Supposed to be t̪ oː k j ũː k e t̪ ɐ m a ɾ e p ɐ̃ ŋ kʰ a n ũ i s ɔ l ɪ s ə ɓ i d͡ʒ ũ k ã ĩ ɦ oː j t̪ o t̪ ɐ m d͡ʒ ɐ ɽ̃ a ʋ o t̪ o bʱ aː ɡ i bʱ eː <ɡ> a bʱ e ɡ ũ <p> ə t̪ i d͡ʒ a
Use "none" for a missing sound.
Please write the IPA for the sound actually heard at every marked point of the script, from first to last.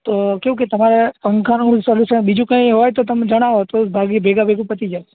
ɡ, p

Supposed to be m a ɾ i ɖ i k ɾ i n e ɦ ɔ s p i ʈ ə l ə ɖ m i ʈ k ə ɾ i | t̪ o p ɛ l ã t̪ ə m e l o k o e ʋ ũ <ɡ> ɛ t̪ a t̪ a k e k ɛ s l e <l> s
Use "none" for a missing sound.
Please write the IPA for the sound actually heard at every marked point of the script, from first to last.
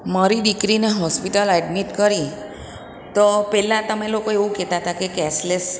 k, none

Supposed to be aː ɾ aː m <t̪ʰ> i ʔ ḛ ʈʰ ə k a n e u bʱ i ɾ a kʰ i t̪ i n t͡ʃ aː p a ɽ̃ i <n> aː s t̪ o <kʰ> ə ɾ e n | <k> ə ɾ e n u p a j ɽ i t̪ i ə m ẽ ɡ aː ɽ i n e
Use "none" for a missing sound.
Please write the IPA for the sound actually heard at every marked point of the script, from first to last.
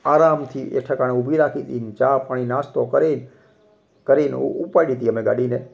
t̪ʰ, n, k, k

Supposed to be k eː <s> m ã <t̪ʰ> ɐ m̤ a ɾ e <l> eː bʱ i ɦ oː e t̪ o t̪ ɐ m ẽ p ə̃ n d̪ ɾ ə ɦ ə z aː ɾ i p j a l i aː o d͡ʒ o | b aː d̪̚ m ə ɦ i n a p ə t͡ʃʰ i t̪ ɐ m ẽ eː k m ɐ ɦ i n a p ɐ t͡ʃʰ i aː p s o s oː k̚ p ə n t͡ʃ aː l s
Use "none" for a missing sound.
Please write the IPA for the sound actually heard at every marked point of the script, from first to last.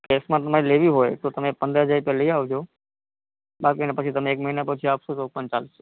s, t̪, l

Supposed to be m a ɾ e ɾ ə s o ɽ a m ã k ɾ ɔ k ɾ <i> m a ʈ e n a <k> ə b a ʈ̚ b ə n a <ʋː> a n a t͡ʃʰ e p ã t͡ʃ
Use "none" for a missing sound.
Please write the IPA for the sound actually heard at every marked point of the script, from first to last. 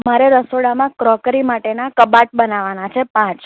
i, k, ʋ

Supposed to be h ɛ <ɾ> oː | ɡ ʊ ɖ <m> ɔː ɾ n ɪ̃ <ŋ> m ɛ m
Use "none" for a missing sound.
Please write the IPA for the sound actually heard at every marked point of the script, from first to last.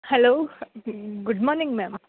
l, m, ŋ

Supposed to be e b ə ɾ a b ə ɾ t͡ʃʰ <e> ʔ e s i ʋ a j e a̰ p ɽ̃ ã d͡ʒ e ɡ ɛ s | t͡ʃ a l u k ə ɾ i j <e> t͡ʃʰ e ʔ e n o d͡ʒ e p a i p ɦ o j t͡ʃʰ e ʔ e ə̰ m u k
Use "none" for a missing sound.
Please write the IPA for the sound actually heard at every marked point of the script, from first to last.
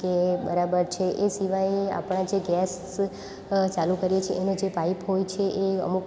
e, e

